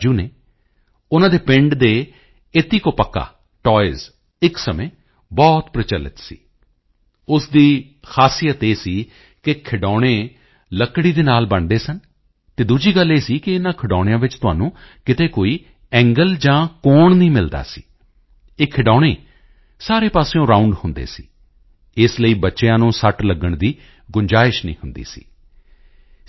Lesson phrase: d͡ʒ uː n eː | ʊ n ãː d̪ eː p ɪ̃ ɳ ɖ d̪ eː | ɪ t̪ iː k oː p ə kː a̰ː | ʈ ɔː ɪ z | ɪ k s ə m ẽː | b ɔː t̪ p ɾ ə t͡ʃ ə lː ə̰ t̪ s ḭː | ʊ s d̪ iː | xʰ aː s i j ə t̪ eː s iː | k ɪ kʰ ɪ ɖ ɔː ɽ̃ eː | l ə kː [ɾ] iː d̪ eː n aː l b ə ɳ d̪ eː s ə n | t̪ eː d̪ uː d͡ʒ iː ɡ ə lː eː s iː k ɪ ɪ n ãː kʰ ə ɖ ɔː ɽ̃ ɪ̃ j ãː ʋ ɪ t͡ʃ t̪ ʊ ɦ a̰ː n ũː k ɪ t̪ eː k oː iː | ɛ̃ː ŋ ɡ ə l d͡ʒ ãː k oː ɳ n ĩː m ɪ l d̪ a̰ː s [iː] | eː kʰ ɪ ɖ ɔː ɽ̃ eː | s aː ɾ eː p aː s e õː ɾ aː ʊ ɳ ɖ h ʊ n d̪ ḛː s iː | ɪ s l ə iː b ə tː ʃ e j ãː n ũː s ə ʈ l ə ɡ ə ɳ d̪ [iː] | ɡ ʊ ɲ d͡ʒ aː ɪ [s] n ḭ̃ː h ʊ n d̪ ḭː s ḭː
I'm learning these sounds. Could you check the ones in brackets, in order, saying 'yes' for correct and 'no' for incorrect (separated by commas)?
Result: no, yes, yes, no